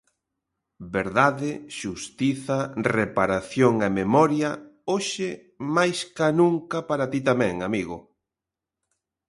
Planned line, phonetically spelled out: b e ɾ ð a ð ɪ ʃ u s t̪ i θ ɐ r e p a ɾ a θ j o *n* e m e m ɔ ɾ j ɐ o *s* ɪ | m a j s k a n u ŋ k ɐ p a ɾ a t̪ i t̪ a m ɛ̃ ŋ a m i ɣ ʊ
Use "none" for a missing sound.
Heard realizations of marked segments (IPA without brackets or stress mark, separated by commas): ŋ, ʃ